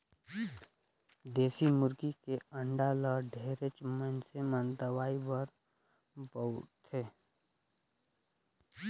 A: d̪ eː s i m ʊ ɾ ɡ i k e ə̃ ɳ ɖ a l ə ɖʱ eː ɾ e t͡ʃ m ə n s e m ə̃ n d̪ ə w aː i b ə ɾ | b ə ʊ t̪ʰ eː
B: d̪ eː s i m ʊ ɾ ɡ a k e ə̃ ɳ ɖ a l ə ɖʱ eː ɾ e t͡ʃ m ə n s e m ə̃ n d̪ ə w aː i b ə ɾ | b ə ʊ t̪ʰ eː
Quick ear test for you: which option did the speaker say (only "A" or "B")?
A